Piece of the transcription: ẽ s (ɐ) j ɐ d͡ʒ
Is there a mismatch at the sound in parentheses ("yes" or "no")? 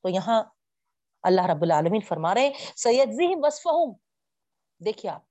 no